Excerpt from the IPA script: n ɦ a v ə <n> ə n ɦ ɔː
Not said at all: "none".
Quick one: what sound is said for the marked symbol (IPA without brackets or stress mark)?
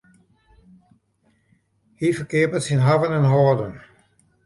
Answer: n